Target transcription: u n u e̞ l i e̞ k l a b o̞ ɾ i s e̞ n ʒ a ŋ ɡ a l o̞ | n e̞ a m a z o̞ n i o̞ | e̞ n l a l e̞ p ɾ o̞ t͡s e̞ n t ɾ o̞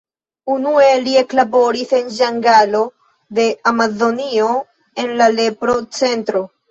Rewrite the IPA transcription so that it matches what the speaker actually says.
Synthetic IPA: u n u e̞ l i e̞ k l a b o̞ ɾ i s e̞ n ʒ a ŋ ɡ a l o̞ | d e̞ a m a z o̞ n i o̞ | e̞ n l a l e̞ p ɾ o̞ t͡s e̞ n t ɾ o̞